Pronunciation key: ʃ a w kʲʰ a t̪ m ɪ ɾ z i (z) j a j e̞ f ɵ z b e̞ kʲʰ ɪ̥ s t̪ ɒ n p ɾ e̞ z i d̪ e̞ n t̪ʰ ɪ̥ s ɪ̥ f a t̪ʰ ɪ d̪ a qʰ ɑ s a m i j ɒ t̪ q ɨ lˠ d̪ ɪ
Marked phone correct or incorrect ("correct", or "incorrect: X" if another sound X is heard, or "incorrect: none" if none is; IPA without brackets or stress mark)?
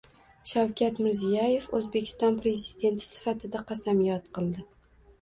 incorrect: none